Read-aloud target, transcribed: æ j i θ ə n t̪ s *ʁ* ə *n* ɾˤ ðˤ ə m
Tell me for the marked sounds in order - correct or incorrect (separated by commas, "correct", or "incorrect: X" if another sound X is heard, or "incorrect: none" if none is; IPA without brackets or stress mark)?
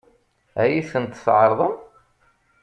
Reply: incorrect: ʕ, incorrect: none